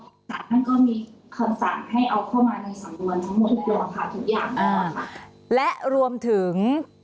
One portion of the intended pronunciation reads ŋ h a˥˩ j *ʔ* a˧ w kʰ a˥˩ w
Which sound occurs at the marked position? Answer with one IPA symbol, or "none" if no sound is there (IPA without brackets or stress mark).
ʔ